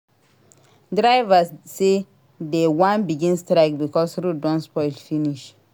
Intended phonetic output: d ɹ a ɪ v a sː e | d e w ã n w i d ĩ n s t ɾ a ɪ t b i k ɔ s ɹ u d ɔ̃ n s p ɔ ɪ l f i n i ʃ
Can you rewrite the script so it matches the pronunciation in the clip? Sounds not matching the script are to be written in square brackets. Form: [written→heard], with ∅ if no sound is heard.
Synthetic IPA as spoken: d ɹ a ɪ v a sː e | d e w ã n [w→b] i [d→ɡ] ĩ n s t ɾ a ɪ [t→k] b i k ɔ s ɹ u d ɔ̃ n s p ɔ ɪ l f i n i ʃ

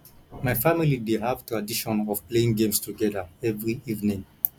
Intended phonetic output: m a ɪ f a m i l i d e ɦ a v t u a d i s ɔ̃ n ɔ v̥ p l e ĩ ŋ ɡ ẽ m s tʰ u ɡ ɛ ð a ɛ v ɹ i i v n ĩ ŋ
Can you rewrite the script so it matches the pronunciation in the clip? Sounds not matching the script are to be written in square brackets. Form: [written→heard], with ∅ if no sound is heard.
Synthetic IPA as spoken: m a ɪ f a m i l i d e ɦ a v t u a d i [s→ʃ] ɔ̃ n ɔ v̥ p l e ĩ ŋ ɡ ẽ m s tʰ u ɡ ɛ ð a ɛ v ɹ i i v n ĩ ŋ

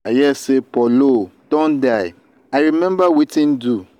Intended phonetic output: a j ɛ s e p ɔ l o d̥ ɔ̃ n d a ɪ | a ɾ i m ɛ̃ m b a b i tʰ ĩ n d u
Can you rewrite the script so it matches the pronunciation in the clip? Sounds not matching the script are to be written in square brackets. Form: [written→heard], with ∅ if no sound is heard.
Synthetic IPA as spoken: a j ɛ s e p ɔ l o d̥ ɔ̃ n d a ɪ | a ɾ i m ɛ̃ m b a [b→w] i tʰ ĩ n d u

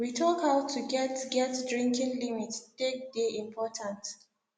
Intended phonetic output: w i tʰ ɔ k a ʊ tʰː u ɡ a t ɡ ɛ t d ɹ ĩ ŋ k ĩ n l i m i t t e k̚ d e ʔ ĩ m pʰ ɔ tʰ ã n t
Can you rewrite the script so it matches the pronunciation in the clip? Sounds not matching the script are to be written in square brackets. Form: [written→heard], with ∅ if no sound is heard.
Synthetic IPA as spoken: w i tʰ ɔ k a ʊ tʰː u ɡ [a→ɛ] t ɡ ɛ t d ɹ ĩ ŋ k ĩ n l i m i t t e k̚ d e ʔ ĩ m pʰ ɔ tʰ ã n t

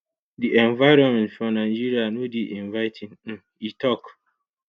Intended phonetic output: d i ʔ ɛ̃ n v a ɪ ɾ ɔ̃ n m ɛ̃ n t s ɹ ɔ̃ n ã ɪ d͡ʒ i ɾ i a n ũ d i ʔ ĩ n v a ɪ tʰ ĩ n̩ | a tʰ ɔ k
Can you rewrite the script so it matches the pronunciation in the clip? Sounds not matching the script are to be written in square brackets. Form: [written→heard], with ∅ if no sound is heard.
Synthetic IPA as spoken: d i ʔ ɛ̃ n v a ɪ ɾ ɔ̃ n m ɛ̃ n t [s→f] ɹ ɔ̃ n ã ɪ d͡ʒ i ɾ i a n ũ d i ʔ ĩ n v a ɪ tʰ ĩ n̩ | [a→i] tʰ ɔ k

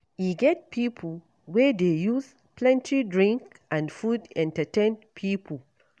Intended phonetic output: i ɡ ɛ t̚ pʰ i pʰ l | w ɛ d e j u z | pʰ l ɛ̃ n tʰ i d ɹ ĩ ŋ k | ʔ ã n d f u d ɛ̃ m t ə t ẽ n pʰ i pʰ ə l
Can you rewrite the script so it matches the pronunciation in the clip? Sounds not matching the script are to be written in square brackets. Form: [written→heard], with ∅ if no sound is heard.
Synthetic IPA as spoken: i ɡ ɛ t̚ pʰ i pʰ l | w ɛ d e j u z | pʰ l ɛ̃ n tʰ i d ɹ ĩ ŋ k | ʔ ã n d f u d ɛ̃ [m→n] t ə t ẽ n pʰ i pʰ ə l

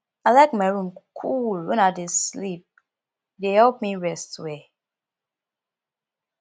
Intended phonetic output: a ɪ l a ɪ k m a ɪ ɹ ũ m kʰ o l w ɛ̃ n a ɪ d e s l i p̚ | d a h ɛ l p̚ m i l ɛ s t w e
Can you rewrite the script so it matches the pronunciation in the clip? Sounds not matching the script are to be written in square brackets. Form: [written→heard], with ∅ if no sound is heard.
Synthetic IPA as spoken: a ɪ l a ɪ k m a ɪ ɹ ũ m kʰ [o→u] l w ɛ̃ n a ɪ d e s l i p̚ | d [a→e] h ɛ l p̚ m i [l→ɹ] ɛ s t w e

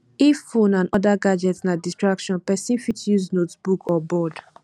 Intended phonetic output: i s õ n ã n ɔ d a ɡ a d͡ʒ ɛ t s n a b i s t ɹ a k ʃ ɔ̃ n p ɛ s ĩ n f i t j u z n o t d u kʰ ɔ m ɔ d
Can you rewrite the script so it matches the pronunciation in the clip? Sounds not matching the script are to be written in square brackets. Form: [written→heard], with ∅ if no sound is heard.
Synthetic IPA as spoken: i [s→f] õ n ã n ɔ d a ɡ a d͡ʒ ɛ t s n a [b→d] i s t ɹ a k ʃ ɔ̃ n p ɛ s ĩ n f i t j u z n o t [d→b] u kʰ ɔ [m→b] ɔ d

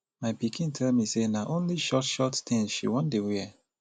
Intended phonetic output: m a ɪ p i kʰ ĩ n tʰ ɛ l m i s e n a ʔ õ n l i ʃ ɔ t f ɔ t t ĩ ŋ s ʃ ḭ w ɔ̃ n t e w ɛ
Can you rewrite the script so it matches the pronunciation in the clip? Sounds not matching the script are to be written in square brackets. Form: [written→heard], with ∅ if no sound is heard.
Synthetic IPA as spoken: m a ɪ p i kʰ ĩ n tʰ ɛ l m i s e n a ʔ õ n l i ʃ ɔ t [f→ʃ] ɔ t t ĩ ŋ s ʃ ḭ w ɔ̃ n [t→d] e w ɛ

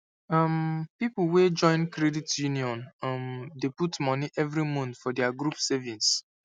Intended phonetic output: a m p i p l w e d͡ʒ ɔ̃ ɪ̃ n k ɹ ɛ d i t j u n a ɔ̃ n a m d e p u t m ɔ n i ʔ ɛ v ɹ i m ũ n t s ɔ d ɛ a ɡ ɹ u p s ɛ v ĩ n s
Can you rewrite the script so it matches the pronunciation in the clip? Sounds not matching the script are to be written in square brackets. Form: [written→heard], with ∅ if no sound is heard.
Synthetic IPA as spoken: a m p i p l w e d͡ʒ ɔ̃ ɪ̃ n k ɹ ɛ d i t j u n [a→i] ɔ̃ n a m d e p u t m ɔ n i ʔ ɛ v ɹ i m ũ n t [s→f] ɔ d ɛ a ɡ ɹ u p s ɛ v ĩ n s

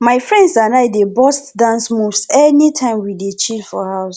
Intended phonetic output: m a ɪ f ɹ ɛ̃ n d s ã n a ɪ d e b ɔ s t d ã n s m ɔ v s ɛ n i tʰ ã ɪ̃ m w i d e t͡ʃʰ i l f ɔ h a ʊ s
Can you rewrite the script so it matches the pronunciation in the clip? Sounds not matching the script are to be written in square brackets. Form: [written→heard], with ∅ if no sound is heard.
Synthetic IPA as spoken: m a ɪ f ɹ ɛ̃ n d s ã n a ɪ d e b ɔ s t d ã n s m [ɔ→u] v s ɛ n i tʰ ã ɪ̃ m w i d e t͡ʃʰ i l f ɔ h a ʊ s

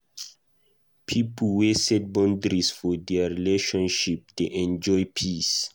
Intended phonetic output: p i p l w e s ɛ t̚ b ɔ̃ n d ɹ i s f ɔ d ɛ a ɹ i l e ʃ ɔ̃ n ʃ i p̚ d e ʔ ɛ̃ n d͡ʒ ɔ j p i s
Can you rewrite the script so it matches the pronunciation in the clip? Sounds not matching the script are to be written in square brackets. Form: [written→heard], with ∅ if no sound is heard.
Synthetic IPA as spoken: [p→pʰ] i p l w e s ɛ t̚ b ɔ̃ n d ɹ i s f ɔ d ɛ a ɹ i l e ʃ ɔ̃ n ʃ i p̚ d e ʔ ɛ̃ n d͡ʒ ɔ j [p→pʰ] i s

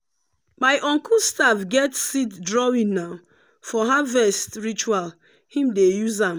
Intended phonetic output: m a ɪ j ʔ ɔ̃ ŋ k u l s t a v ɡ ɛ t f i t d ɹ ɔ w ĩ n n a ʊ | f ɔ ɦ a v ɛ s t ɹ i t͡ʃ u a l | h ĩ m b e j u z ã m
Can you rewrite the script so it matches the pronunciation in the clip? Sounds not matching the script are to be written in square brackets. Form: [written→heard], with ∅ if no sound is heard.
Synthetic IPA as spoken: m a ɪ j ʔ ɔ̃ ŋ k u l s t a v ɡ ɛ t [f→s] i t d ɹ ɔ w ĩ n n a ʊ | f ɔ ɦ a v ɛ s t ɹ i t͡ʃ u a l | h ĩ m [b→d] e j u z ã m

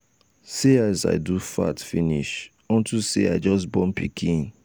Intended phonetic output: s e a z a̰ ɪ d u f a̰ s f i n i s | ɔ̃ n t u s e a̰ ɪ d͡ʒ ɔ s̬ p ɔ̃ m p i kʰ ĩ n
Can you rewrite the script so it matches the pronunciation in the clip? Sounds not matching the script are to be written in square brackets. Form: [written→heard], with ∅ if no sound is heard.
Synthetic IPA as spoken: s e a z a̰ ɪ d u f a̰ [s→t] f i n i [s→ʃ] | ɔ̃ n t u s e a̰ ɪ d͡ʒ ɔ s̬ [p→b] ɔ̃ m p i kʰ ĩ n

